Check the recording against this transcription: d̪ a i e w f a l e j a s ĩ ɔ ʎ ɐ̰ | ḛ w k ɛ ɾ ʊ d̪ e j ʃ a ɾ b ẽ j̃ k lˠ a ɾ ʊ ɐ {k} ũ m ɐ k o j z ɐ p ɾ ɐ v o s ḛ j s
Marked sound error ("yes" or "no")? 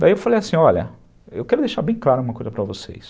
yes